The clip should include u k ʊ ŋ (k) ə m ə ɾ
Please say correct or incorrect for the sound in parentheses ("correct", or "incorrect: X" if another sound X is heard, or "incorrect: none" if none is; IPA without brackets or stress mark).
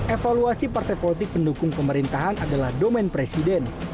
incorrect: p